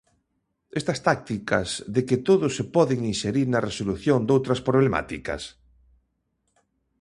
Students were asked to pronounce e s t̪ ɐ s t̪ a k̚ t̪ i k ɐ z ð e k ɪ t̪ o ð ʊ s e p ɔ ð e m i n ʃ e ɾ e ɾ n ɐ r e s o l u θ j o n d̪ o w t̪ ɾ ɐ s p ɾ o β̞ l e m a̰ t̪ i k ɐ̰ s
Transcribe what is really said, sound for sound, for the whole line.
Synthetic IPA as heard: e s t̪ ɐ s t̪ a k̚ t̪ i k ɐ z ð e k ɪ t̪ o ð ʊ s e p ɔ ð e ŋ i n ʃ e ɾ i ɾ n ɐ r e s o l u θ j o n d̪ o w t̪ ɾ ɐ s p ɾ o β̞ l e m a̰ t̪ i k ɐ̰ s

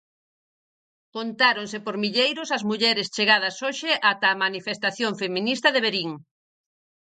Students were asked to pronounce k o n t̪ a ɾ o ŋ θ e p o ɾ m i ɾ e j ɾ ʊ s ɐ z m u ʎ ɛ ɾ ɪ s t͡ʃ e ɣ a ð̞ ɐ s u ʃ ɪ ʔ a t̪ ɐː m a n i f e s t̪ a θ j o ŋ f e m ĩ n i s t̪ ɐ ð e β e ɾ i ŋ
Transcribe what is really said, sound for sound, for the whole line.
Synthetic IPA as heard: k o n t̪ a ɾ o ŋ s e p o ɾ m i ʎ e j ɾ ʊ s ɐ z m u ʎ ɛ ɾ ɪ s t͡ʃ e ɣ a ð̞ ɐ s o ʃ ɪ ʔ a t̪ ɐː m a n i f e s t̪ a θ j o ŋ f e m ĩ n i s t̪ ɐ ð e β e ɾ i ŋ

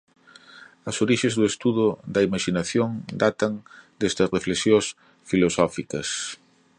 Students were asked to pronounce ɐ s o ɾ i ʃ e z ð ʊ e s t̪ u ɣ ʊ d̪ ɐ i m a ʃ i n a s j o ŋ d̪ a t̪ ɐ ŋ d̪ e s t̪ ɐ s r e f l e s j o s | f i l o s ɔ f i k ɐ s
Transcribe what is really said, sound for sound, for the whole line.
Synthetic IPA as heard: ɐ s o ɾ i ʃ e z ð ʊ e s t̪ u ð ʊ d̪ ɐ i m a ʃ i n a θ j o ŋ d̪ a t̪ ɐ ŋ d̪ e s t̪ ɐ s r e f l e s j o s | f i l o s ɔ f i k ɐ s

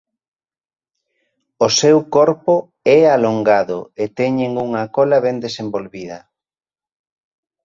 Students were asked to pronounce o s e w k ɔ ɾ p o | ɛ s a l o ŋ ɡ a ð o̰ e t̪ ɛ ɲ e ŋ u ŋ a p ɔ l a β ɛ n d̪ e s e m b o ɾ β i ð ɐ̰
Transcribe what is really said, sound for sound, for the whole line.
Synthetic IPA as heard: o s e w k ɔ ɾ p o | ɛ a l o ŋ ɡ a ð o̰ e t̪ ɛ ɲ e ŋ u ŋ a k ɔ l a β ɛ n d̪ e s e m b o l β i ð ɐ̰

